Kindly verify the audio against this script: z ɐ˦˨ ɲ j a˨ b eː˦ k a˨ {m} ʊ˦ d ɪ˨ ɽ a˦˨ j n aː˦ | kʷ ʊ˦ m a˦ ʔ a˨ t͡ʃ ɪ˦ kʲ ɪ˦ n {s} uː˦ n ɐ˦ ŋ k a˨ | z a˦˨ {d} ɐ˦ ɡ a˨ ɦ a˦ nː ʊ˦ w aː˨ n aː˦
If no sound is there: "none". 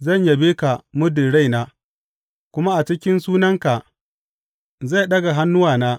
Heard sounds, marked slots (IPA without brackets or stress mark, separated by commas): m, s, ɗ